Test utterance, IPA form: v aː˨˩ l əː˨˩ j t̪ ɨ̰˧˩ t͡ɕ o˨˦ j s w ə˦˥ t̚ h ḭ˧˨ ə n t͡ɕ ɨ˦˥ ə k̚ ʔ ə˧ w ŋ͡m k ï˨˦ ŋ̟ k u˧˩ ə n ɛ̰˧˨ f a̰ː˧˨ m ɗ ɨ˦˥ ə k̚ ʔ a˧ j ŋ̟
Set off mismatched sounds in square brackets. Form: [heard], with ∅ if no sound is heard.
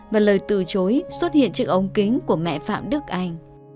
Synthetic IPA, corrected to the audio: v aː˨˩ l əː˨˩ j t̪ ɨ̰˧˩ t͡ɕ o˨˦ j s w ə˦˥ t̚ h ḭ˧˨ ə n t͡ɕ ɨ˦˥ ə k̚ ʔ ə˧ w ŋ͡m k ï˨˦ ŋ̟ k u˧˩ ə [m] ɛ̰˧˨ f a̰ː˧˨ m ɗ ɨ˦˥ ə k̚ ʔ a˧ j ŋ̟